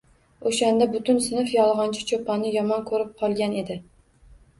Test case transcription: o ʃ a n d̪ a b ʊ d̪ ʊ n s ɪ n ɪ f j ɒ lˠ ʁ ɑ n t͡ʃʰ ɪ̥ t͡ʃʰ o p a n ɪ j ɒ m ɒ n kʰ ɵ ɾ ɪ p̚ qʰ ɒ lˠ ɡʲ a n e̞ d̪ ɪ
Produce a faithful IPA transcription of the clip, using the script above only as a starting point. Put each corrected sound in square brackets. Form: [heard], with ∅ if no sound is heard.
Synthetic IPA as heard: o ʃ a n d̪ a b ʊ [t̪] ʊ n s ɪ n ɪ f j ɒ lˠ ʁ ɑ n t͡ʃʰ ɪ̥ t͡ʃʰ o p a n ɪ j ɒ m ɒ n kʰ ɵ ɾ ɪ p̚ qʰ ɒ lˠ ɡʲ a n e̞ d̪ ɪ